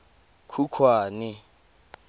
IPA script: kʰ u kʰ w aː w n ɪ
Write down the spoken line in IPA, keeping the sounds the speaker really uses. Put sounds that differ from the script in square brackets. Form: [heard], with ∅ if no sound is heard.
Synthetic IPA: kʰ u kʰ w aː [∅] n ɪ